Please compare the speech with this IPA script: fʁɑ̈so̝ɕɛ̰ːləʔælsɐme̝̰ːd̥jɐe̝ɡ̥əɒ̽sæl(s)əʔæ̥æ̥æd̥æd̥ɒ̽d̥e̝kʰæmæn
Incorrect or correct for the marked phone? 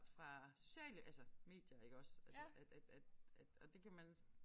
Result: correct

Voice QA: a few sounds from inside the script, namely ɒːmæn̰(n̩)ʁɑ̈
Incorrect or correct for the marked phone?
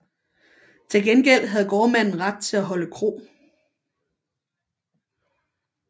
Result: correct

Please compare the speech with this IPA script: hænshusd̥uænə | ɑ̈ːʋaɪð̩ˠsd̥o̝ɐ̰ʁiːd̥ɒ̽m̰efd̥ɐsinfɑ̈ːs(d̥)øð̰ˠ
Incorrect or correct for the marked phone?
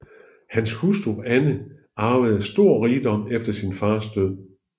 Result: correct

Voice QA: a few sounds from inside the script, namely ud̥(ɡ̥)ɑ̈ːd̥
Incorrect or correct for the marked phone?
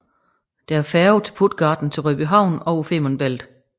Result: correct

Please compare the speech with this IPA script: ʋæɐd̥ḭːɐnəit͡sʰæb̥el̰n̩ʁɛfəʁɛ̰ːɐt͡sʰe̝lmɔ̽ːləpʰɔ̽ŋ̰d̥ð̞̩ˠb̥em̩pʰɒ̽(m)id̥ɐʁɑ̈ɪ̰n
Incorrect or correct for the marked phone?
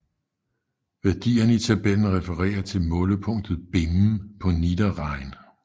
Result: incorrect: n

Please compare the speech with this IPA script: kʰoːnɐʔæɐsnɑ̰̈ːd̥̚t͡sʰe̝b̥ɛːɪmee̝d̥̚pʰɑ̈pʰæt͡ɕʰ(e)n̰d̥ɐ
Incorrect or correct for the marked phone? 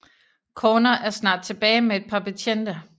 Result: correct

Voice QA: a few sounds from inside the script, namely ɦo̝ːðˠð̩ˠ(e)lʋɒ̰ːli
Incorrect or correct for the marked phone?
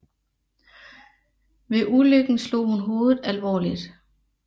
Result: incorrect: æ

